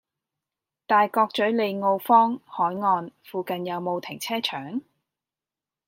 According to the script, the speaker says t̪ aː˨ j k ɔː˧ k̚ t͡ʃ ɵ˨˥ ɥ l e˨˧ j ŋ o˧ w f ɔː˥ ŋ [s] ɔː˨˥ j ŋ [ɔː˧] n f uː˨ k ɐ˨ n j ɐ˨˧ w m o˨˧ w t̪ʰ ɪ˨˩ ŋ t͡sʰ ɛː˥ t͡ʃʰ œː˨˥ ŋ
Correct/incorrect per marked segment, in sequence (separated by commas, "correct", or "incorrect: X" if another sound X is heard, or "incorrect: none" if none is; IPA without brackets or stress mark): incorrect: h, correct